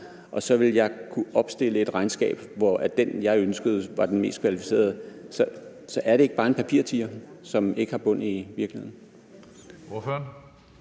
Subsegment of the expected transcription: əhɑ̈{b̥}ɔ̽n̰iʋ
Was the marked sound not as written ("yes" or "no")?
no